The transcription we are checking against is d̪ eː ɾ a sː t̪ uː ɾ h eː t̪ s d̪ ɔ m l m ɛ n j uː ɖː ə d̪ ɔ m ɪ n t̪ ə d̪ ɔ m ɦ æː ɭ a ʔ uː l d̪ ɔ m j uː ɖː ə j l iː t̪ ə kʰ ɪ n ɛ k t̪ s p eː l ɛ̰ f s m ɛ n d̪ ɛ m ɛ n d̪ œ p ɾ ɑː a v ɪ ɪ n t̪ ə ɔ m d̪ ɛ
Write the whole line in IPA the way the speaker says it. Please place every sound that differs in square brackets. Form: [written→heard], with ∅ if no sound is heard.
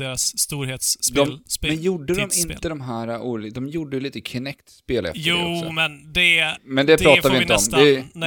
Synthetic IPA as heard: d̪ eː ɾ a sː t̪ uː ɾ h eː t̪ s d̪ ɔ m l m ɛ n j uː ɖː ə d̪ ɔ m ɪ n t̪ ə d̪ ɔ m ɦ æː [ɭ→ɾ] a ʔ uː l d̪ ɔ m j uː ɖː ə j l iː t̪ ə kʰ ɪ n ɛ k t̪ s p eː l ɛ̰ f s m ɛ n d̪ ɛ m ɛ n d̪ [œ→ɛ] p ɾ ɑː a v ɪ ɪ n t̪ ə ɔ m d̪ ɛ